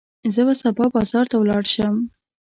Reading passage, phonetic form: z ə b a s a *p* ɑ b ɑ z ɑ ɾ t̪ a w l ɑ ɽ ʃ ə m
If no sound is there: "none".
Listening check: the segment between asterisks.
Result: b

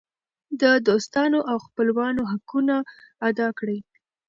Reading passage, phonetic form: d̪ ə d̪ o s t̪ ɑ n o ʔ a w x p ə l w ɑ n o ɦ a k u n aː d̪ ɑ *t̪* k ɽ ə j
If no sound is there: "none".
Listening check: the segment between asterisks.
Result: none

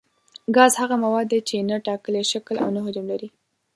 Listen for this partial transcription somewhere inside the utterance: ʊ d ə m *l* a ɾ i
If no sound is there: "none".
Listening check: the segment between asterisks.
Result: l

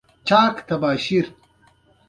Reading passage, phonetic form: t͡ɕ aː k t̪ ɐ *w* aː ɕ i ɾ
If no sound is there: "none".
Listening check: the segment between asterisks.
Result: b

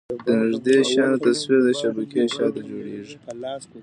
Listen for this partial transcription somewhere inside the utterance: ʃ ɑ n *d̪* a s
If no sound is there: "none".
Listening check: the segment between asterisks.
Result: t̪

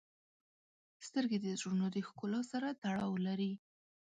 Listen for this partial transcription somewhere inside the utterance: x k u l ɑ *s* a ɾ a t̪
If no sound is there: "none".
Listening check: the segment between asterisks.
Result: s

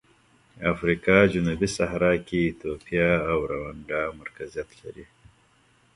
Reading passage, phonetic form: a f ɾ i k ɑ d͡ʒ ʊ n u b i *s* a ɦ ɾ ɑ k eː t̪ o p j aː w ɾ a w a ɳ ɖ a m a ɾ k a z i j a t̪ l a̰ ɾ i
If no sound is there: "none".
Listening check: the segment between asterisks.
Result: s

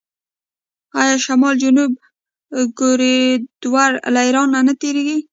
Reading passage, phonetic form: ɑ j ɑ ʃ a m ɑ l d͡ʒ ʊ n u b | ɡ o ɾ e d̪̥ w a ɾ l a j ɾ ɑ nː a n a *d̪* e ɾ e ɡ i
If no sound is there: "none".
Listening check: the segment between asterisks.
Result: t̪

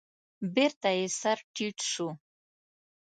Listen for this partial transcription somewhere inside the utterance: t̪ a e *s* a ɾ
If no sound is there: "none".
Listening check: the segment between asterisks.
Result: s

